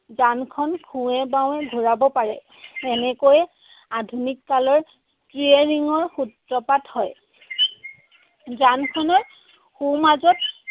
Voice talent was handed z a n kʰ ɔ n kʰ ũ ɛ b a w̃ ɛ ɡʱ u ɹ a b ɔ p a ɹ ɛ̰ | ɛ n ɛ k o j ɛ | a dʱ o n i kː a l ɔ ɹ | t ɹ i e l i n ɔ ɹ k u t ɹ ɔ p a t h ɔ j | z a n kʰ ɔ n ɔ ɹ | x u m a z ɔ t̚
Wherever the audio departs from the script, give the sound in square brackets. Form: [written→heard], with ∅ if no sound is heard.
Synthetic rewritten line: z a n kʰ ɔ n kʰ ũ ɛ b a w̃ ɛ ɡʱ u ɹ a b ɔ p a ɹ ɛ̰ | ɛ n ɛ k o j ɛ | a dʱ [o→u] n i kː a l ɔ ɹ | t ɹ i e [l→ɹ] i [n→ŋ] ɔ ɹ [k→x] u t ɹ ɔ p a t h ɔ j | z a n kʰ ɔ n ɔ ɹ | x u m a z ɔ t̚